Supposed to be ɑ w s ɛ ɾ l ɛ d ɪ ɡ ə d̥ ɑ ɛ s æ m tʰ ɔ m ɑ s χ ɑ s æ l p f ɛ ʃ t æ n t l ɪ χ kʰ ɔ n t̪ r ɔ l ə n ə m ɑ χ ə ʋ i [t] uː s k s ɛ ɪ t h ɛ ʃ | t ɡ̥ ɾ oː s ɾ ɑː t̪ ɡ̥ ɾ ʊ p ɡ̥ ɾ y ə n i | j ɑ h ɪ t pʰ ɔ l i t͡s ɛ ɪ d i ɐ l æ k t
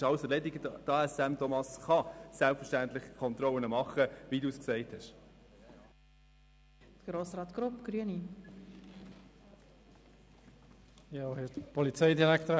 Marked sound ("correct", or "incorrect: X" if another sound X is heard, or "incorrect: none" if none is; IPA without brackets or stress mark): incorrect: d